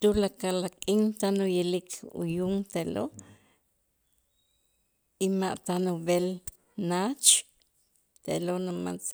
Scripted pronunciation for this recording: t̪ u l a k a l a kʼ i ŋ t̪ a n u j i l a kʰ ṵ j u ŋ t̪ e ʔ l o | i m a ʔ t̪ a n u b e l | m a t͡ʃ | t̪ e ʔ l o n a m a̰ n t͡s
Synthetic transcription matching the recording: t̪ u l a k a l a kʼ i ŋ t̪ a n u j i l i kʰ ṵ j u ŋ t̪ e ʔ l o | i m a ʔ t̪ a n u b e l | n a t͡ʃ | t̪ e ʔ l o n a m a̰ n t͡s